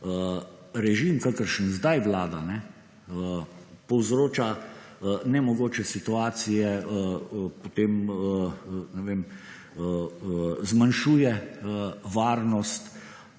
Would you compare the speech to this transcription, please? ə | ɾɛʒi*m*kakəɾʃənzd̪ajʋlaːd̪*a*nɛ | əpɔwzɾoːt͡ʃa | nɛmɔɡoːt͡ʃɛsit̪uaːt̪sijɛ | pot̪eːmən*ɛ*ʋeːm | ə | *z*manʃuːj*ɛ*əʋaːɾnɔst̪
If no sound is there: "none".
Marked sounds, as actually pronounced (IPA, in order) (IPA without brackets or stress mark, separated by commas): m, a, ɛ, z, ɛ